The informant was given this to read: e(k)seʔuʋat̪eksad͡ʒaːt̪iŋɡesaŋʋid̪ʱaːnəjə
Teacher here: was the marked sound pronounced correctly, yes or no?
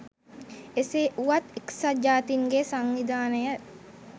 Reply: no